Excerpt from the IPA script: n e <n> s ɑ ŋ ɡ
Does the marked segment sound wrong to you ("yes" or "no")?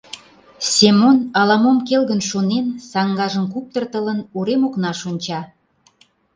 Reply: no